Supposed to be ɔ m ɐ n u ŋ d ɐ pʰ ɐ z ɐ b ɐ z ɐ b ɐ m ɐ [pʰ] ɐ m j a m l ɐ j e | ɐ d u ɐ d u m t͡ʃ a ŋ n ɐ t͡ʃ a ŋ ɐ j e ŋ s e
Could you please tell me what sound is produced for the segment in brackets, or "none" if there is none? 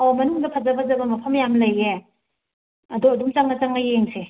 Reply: pʰ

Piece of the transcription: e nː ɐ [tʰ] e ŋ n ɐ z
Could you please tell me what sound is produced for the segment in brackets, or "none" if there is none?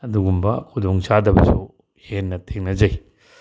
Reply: tʰ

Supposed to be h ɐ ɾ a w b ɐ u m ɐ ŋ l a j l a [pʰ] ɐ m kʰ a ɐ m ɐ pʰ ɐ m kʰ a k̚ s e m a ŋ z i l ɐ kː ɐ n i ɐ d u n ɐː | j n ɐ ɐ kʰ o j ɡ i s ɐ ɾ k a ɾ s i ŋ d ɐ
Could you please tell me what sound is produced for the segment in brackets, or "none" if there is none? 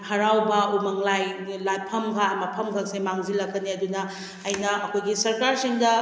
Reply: pʰ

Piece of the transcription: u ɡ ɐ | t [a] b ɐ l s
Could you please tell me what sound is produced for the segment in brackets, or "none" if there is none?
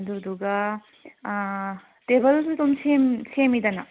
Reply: e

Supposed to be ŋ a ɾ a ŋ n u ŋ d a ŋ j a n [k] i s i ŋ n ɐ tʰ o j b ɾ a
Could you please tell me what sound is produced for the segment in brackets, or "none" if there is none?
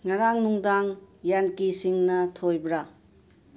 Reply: k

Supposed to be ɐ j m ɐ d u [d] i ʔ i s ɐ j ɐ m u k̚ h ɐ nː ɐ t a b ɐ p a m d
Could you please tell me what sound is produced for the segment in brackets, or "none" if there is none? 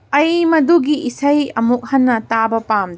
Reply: ɡ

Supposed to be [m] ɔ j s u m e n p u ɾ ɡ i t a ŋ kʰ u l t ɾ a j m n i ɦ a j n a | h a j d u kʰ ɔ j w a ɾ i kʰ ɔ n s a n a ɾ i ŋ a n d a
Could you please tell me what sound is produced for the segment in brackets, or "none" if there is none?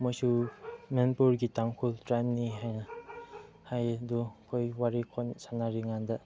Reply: m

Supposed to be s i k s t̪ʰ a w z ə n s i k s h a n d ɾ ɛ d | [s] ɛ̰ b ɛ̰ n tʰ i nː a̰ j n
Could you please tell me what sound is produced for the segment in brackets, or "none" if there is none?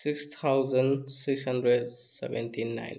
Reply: s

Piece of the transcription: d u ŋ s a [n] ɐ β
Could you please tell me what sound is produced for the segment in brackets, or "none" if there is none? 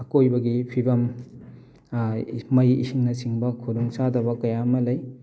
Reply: d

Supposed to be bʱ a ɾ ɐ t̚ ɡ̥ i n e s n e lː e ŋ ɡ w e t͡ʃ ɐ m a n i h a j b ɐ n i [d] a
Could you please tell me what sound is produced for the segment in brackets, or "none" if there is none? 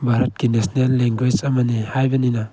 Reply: n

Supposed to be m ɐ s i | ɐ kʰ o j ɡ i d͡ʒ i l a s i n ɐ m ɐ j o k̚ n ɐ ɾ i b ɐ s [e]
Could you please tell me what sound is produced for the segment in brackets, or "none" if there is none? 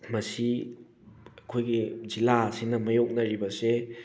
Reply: e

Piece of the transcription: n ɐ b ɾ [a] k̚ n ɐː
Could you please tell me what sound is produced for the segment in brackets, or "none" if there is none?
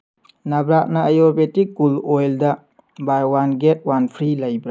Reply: a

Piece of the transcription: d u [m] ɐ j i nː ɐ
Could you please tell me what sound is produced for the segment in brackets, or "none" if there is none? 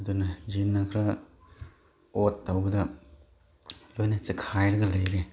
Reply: n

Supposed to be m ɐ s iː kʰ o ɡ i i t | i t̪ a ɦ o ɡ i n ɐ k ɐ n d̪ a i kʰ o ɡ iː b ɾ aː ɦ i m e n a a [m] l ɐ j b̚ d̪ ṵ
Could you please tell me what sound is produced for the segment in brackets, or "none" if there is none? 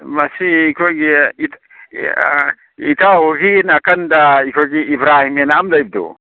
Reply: m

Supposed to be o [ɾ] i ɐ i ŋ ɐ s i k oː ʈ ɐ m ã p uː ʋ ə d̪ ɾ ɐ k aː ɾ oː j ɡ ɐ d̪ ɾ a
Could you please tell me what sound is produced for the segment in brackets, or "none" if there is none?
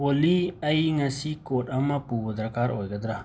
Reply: l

